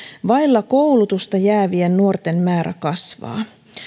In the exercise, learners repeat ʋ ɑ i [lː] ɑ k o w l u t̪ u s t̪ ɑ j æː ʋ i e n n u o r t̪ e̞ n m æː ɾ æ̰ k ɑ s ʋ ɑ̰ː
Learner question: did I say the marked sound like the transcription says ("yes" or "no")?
yes